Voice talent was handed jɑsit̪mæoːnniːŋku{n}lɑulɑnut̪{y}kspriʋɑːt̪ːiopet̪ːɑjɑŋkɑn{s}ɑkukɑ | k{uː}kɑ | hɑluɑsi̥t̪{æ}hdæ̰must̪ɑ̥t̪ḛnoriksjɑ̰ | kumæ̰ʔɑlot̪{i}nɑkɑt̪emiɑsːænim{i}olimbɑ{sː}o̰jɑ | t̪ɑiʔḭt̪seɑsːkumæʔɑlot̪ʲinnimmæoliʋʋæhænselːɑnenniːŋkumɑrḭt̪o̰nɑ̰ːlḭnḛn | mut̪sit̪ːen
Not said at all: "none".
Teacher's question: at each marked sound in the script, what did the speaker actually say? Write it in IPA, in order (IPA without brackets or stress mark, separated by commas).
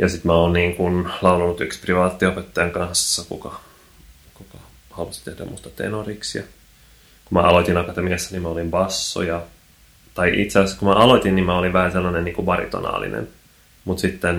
n, y, sː, u, e, i, æ, sː